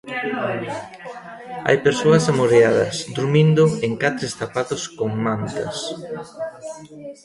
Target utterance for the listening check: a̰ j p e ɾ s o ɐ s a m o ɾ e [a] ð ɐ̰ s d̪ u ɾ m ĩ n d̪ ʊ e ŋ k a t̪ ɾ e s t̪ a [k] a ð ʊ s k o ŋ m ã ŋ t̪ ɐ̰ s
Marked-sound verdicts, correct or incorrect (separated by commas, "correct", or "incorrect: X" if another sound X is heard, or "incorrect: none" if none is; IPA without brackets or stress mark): correct, incorrect: p